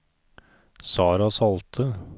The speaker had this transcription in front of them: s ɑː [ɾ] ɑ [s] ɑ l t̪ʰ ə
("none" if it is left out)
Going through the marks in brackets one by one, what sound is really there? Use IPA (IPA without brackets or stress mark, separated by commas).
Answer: ɾ, s